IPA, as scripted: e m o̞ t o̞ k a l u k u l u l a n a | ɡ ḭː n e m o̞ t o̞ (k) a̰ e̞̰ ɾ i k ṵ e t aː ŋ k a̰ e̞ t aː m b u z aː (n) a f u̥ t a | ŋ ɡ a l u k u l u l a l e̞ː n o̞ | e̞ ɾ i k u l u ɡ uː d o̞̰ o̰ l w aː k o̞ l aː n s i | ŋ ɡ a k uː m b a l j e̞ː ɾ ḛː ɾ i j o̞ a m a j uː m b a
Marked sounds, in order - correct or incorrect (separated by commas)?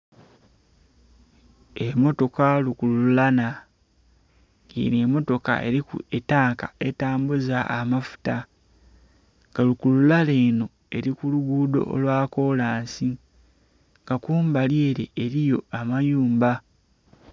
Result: correct, incorrect